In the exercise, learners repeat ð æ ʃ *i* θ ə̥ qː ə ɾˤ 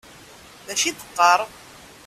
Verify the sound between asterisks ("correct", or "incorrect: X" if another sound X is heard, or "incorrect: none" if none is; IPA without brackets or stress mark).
correct